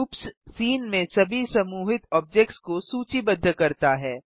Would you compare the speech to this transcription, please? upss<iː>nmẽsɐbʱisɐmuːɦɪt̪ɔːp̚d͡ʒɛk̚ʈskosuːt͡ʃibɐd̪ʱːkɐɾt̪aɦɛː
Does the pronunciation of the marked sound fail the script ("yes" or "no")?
no